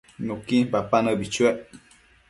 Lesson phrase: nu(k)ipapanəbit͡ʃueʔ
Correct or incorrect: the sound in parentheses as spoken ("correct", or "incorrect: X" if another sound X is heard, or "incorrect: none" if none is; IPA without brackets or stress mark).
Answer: correct